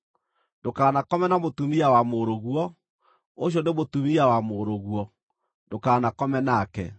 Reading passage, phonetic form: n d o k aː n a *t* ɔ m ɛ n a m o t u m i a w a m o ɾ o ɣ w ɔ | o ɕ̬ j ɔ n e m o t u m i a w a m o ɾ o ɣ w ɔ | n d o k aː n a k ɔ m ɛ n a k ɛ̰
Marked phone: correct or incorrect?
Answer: incorrect